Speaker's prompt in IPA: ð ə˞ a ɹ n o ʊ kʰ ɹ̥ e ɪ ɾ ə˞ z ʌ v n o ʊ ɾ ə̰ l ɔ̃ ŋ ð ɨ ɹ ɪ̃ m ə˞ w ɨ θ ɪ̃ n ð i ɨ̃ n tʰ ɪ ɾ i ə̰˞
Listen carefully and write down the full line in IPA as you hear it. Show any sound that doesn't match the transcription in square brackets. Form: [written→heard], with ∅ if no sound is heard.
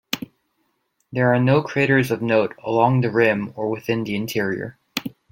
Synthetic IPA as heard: ð ə˞ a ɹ n o ʊ kʰ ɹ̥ e ɪ ɾ ə˞ z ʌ v n o ʊ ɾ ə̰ l ɔ̃ ŋ ð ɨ ɹ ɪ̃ m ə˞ w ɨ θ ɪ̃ n ð i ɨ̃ n tʰ ɪ [ɾ→ɹ] i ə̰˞